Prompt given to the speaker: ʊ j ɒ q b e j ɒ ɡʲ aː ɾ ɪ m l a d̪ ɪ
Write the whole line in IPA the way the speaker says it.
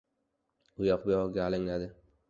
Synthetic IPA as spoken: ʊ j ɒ q b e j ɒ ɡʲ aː l ɪ ŋ l a d̪ ɪ

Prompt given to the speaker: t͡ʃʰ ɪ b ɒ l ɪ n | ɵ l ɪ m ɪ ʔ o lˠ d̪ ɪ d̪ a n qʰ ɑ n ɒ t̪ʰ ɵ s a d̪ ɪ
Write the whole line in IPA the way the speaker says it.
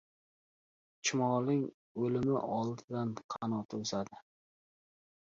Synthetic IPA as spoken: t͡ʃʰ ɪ m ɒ l ɪ ŋ | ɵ l ɪ m ɪ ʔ ɒ lˠ d̪ ɪ d̪ a n qʰ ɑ n ɒ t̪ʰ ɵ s a d̪ ɪ

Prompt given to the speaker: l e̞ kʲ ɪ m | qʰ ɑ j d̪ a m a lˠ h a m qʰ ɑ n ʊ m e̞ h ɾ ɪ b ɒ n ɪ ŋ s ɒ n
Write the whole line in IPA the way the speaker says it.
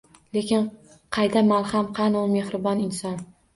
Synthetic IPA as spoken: l e̞ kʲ ɪ n | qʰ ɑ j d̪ a m a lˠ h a m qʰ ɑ n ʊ m e̞ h ɾ ɪ b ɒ n ɪ n s ɒ n

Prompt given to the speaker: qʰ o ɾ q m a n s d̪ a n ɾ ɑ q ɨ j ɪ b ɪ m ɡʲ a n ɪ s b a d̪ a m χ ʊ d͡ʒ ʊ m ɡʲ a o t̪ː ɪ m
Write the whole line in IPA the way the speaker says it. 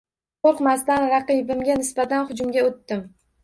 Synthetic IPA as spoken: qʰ o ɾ q m a s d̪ a n ɾ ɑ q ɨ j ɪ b ɪ m ɡʲ a n ɪ s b a t̪ a n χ ʊ d͡ʒ ʊ m ɡʲ a o t̪ː ɪ m

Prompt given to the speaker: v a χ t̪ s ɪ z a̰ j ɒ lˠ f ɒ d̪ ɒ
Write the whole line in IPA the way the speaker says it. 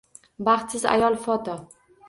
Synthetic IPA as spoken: b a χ t̪ s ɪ z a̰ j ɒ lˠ f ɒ t̪ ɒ

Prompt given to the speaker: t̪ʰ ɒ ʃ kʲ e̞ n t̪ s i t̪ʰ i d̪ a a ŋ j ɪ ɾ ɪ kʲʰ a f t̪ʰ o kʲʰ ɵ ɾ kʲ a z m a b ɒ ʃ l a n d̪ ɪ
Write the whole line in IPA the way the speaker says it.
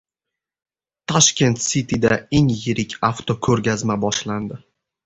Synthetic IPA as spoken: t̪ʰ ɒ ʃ kʲ e̞ n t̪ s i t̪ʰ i d̪ a e ŋ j ɪ ɾ ɪ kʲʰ a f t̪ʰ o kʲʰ ɵ ɾ ɡʲ a z m a b ɒ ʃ l a n d̪ ɪ

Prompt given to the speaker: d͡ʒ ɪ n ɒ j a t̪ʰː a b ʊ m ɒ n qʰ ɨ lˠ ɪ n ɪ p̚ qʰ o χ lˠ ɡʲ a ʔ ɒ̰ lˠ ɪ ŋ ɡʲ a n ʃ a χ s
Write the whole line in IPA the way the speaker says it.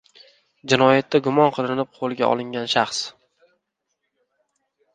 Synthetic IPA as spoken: d͡ʒ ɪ n ɒ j a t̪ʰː a ɡ ʊ m ɒ n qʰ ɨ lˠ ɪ n ɪ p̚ qʰ o lˠ ɡʲ a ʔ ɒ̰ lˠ ɪ ŋ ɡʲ a n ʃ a χ s

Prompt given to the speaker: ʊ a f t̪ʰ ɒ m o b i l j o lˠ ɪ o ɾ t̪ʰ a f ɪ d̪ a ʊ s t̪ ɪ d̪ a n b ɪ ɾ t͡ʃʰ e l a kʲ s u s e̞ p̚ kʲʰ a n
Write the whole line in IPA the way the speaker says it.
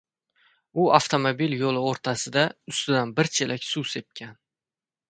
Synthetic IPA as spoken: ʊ a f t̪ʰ o m o b i l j o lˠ ɪ o ɾ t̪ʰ a s ɪ d̪ a ʊ s t̪ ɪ d̪ a n b ɪ ɾ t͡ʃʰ e l a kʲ s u s e̞ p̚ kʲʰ a n

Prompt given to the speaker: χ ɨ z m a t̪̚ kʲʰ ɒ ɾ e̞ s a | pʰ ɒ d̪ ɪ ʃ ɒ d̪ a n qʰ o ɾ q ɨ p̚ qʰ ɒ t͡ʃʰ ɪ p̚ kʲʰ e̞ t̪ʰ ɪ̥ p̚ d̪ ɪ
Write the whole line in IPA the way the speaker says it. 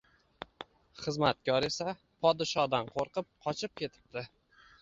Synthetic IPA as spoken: χ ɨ z m a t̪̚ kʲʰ ɒ ɾ e̞ s a | pʰ ɒ d̪ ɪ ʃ ɒ d̪ a n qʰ o ɾ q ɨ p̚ qʰ ɒ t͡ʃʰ ɪ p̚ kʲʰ e̞ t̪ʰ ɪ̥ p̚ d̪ ɪ

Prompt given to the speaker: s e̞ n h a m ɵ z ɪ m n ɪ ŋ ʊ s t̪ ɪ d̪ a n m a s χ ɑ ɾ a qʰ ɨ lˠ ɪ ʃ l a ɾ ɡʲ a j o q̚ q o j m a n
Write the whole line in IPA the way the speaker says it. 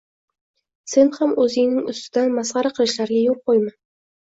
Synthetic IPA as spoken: s e̞ n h a m ɵ z ɪ ŋ n ɪ ŋ ʊ s t̪ ɪ d̪ a n m a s ʁ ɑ ɾ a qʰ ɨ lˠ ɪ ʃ l a ɾ ɡʲ a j o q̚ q o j m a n

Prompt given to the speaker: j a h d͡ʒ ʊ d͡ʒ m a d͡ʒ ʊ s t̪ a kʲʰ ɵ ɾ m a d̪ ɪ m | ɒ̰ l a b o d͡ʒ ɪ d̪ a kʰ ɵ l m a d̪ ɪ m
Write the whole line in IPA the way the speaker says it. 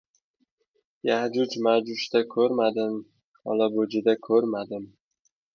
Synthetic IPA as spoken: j a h d͡ʒ ʊ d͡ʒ m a d͡ʒ ʊ ʃ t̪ a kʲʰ ɵ ɾ m a d̪ ɪ m | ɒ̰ l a b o d͡ʒ ɪ d̪ a kʰ ɵ ɾ m a d̪ ɪ m

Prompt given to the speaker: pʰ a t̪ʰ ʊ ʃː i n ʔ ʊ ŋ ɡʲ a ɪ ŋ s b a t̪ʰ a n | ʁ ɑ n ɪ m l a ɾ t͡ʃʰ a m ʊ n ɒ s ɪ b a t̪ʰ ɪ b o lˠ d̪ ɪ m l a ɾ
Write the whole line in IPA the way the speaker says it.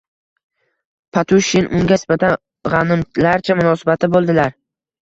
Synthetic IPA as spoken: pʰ a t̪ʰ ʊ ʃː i n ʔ ʊ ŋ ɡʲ a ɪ s b a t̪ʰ a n | ʁ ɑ n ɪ m l a ɾ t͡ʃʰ a m ʊ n ɒ s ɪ b a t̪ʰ ɪ b o lˠ d̪ ɪ l a ɾ

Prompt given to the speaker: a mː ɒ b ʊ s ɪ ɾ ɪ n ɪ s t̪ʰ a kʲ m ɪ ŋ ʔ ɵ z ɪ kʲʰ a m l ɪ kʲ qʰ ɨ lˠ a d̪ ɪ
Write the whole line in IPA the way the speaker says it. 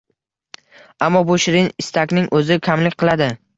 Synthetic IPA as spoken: a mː ɒ b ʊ ʃ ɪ ɾ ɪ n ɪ s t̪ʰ a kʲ n ɪ ŋ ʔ ɵ z ɪ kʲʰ a m l ɪ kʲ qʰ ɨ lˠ a d̪ ɪ

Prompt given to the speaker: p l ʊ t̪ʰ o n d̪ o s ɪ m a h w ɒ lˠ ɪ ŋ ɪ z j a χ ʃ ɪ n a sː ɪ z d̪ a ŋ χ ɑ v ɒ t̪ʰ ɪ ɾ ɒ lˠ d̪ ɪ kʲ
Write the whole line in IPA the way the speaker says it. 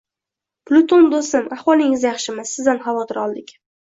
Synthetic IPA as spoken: p l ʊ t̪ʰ o n d̪ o s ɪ m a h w ɒ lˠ ɪ ŋ ɪ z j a χ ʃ ɪ m a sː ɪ z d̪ a n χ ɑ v ɒ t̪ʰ ɪ ɾ ɒ lˠ d̪ ɪ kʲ

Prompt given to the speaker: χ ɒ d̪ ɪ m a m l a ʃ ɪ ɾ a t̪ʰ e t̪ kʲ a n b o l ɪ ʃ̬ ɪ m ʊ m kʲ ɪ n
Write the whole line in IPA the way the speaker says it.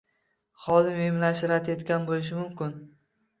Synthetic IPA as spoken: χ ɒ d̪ ɪ m e m l a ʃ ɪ ɾ a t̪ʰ e t̪ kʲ a n b o l ɪ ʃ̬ ɪ m ʊ m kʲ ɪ n

